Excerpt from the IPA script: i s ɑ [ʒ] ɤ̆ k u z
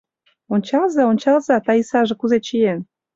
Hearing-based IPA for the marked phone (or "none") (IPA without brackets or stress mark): ʒ